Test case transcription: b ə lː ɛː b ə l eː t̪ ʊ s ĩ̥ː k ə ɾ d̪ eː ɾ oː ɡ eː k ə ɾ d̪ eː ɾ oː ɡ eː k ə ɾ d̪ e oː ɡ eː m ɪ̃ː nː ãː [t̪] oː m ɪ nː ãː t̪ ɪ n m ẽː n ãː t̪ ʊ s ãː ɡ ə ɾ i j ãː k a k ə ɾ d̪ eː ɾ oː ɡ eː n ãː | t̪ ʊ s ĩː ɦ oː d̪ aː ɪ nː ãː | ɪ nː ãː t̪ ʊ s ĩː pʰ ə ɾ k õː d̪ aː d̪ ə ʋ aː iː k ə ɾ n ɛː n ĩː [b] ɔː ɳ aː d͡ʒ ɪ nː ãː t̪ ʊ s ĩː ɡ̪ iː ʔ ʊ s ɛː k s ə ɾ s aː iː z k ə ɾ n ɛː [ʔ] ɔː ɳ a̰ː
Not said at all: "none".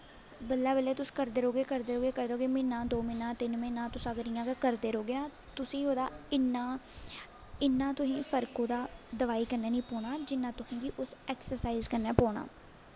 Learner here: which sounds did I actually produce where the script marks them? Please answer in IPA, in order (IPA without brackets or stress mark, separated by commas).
d̪, p, p